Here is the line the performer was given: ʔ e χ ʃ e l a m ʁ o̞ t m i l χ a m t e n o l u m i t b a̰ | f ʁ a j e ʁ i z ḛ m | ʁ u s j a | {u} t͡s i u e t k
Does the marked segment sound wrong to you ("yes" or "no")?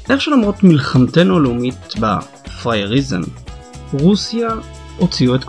yes